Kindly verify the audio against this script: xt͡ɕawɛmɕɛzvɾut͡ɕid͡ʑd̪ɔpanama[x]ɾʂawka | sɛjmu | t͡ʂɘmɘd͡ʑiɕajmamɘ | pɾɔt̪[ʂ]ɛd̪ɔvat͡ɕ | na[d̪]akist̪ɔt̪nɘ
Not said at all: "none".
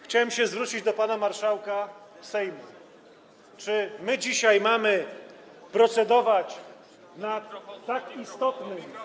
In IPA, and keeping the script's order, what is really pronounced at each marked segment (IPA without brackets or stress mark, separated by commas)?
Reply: none, s, t̪